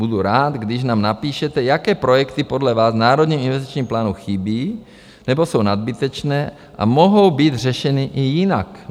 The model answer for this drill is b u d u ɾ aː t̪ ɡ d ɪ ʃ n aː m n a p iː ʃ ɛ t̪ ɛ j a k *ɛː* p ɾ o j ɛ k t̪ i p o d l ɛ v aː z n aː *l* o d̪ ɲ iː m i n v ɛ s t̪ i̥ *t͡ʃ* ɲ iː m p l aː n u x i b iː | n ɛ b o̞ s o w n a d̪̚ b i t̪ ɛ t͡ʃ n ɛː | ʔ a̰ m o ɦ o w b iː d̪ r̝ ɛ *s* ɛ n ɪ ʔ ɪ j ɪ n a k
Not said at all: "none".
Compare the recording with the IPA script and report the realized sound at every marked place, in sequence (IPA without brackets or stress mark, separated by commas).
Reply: ɛː, ɾ, t͡ʃ, ʃ